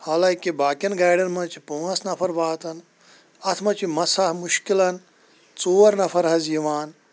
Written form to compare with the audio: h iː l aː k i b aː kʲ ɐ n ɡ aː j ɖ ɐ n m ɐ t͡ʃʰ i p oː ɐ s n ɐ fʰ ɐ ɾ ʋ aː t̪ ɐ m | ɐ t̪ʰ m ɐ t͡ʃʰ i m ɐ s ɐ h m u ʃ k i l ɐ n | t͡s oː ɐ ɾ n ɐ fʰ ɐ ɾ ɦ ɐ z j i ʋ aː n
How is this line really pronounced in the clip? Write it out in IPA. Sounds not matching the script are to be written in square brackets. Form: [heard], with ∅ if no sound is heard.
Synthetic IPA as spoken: h [aː] l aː k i b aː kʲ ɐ n ɡ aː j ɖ ɐ n m ɐ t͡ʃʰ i p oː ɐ s n ɐ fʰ ɐ ɾ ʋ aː t̪ ɐ [n] | ɐ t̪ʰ m ɐ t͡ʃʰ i m ɐ s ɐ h m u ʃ k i l ɐ n | t͡s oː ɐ ɾ n ɐ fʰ ɐ ɾ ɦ ɐ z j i ʋ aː n